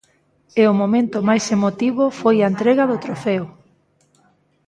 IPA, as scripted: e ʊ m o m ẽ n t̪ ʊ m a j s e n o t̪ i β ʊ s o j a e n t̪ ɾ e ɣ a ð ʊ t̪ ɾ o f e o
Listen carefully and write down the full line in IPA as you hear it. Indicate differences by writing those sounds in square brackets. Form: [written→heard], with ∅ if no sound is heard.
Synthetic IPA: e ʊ m o m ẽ n t̪ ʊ m a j s e [n→m] o t̪ i β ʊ [s→f] o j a e n t̪ ɾ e ɣ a ð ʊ t̪ ɾ o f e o